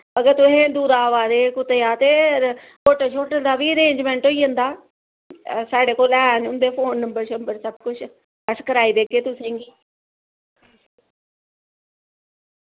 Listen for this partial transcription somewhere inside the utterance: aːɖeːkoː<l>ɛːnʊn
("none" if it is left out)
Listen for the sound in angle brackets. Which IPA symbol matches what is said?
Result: l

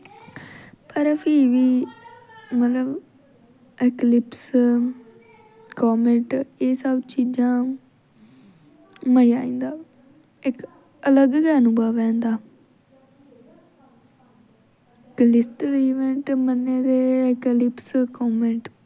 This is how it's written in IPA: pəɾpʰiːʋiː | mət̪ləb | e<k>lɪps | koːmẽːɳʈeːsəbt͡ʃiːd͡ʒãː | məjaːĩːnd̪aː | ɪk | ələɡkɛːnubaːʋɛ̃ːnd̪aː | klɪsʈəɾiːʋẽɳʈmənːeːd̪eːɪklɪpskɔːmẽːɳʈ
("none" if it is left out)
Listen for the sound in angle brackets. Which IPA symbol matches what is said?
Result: k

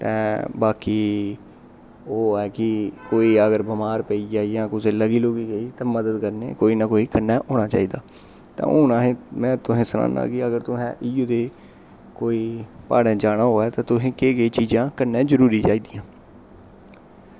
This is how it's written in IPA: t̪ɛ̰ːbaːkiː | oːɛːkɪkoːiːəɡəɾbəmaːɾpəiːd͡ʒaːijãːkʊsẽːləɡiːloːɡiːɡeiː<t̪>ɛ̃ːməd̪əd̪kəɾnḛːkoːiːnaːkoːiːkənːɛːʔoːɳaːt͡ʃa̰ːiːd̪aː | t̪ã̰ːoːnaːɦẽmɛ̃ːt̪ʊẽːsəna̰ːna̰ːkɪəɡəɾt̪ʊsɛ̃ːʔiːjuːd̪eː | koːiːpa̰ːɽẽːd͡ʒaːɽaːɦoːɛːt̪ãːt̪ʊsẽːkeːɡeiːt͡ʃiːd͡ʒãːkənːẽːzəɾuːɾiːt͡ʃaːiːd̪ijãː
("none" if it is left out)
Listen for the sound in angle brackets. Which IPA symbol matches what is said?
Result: t̪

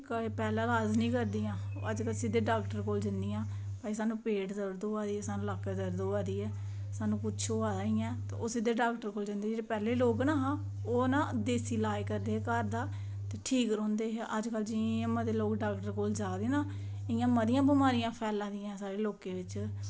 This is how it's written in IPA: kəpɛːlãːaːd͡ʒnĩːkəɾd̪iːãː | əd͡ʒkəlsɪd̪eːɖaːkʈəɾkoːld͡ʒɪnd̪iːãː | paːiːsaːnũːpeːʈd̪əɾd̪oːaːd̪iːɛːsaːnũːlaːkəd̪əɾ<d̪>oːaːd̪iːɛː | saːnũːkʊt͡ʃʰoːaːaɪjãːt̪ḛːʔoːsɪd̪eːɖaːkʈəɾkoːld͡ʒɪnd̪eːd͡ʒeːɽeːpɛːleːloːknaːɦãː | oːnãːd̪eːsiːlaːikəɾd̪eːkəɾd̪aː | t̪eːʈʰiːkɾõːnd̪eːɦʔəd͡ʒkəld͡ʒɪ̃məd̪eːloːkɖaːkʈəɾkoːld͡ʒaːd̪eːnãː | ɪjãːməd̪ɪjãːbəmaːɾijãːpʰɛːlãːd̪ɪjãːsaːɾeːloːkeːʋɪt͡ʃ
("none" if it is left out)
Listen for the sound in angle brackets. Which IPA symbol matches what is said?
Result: d̪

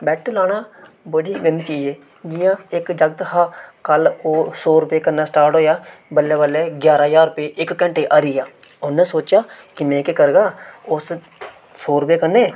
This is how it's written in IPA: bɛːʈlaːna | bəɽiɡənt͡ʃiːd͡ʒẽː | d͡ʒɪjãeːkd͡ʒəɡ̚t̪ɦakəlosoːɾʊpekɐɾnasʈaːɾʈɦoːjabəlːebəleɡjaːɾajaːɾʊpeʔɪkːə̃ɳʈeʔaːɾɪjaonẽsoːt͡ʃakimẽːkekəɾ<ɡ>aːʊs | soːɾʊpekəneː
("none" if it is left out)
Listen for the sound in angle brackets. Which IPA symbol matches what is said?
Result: ɡ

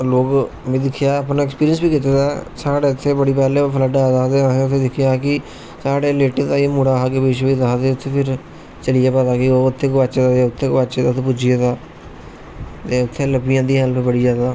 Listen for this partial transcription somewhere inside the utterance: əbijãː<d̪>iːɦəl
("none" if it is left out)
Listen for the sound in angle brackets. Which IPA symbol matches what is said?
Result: d̪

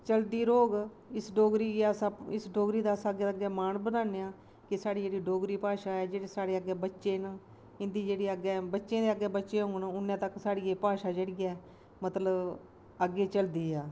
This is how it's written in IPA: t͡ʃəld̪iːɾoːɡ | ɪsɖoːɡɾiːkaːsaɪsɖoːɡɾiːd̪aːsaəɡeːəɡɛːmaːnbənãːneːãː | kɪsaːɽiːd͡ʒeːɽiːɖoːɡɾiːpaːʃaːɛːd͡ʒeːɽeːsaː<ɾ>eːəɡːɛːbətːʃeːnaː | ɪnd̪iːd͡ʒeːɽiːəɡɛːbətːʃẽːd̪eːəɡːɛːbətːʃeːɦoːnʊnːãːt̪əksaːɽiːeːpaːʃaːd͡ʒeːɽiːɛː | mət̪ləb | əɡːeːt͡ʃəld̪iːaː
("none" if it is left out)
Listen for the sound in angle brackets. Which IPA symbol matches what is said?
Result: ɽ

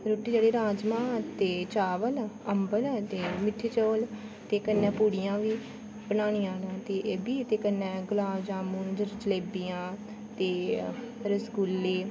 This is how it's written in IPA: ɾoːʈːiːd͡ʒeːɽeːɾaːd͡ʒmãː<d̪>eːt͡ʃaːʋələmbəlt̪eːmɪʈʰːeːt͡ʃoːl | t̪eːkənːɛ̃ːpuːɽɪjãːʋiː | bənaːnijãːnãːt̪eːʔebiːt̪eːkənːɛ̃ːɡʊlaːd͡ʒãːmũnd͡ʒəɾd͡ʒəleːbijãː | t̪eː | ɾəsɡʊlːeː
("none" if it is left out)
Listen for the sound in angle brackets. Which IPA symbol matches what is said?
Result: t̪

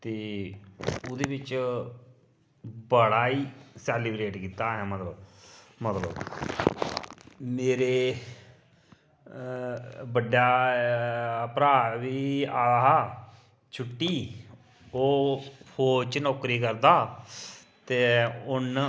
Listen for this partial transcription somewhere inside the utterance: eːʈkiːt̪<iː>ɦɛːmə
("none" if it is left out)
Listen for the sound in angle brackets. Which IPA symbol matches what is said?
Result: aː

